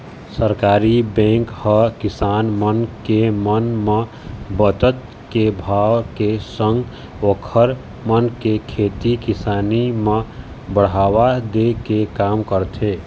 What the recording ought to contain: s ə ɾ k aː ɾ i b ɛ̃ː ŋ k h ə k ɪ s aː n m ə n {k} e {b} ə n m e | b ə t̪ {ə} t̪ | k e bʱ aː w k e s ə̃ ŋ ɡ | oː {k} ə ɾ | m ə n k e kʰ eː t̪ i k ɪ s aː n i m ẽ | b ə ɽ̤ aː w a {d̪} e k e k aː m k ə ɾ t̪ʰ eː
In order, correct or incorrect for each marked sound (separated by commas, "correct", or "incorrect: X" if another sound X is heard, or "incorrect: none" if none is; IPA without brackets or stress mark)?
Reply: correct, incorrect: m, correct, incorrect: kʰ, correct